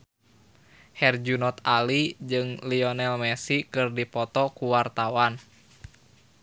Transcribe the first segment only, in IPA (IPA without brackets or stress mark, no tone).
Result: h